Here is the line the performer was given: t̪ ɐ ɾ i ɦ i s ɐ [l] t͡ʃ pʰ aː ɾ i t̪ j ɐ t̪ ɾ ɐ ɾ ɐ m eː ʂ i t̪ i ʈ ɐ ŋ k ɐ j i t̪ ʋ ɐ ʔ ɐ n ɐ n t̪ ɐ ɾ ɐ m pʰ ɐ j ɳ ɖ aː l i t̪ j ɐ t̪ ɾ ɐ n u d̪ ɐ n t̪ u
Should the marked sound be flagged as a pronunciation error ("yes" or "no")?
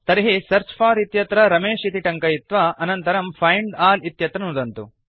yes